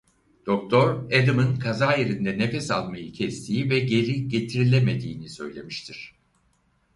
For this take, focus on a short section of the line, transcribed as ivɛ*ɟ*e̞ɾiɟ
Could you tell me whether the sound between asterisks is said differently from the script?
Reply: no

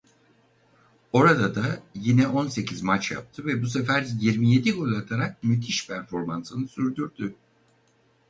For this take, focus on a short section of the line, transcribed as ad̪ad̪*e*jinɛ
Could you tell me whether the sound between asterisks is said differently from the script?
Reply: yes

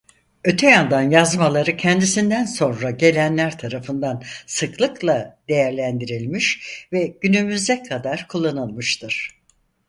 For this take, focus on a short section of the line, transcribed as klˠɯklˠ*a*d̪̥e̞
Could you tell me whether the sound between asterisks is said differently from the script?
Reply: no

